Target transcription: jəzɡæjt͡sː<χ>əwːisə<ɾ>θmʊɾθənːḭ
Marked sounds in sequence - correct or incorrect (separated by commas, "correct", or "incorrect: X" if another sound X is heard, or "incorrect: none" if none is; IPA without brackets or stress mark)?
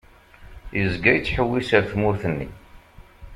incorrect: ħ, correct